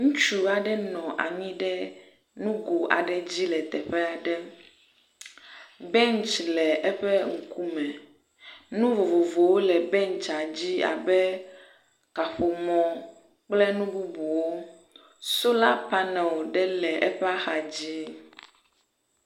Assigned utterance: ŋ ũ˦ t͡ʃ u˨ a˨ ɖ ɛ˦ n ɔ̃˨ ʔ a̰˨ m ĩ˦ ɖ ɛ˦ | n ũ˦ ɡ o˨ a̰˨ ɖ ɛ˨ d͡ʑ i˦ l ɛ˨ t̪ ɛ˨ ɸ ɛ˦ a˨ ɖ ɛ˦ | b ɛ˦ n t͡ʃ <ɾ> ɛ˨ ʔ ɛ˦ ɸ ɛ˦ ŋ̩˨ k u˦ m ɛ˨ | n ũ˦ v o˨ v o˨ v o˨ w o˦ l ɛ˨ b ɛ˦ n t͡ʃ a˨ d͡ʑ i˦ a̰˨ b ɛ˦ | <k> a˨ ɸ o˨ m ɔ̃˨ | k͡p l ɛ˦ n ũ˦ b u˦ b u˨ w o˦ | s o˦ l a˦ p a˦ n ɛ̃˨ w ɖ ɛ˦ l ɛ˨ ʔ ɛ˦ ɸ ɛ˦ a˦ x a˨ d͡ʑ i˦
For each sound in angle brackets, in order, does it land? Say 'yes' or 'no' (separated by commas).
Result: no, yes